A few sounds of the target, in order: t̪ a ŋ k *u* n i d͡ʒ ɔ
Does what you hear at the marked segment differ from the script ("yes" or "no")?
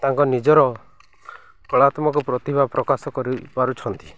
yes